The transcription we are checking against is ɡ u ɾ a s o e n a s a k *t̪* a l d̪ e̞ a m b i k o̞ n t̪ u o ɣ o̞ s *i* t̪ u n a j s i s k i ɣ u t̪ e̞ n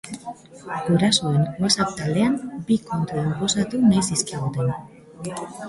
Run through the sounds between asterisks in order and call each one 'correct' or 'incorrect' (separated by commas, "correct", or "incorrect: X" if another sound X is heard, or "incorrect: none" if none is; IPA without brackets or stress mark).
correct, incorrect: a